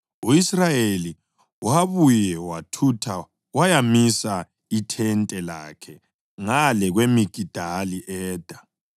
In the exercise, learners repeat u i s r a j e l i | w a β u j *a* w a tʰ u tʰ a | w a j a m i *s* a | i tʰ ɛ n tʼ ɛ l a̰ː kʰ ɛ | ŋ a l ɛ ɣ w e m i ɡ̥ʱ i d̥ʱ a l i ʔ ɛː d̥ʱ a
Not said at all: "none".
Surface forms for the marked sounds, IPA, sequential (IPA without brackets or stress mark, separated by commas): ɛ, s